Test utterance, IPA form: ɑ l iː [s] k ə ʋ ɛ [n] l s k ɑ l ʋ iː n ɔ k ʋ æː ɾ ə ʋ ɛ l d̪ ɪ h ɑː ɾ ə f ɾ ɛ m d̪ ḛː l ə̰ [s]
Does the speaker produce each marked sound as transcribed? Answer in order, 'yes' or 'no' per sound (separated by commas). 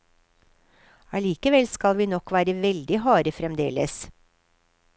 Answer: no, no, yes